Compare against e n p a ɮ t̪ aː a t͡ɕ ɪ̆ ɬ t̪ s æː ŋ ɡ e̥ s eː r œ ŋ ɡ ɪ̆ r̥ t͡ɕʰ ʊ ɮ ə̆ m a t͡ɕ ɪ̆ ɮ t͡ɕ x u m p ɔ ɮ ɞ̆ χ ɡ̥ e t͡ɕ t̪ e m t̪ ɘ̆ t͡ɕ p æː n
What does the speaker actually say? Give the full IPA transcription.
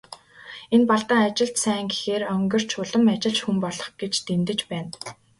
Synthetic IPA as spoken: e n p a ɮ t̪ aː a t͡ɕ ɪ̆ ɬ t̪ s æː ŋ ɡ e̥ x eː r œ ŋ ɡ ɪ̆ r̥ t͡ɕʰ ʊ ɮ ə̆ m a t͡ɕ ɪ̆ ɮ t͡ɕ x u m p ɔ ɮ ɞ̆ χ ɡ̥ e t͡ɕ t̪ e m t̪ ɘ̆ t͡ɕ p æː n